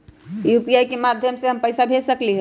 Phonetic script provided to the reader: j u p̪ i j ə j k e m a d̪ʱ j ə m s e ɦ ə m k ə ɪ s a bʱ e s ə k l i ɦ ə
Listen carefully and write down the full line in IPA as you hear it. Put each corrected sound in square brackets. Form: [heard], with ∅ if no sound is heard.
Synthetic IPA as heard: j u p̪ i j [a] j k e m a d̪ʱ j ə m s e ɦ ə m [p] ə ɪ s a bʱ e s ə k l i ɦ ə